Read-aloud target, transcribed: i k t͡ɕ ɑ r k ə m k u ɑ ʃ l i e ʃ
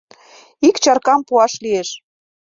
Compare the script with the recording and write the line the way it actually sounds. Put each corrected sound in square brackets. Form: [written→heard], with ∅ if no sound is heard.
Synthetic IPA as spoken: i k t͡ɕ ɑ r k [ə→ɑ] m [k→p] u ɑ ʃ l i e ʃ